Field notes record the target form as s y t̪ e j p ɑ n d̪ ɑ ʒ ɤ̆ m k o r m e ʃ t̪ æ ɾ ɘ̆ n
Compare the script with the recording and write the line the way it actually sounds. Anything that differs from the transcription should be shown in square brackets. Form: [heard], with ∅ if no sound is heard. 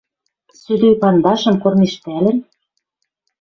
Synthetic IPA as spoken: s y [d̪] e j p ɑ n d̪ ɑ [ʃ] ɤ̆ m k o r m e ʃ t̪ æ [l] ɘ̆ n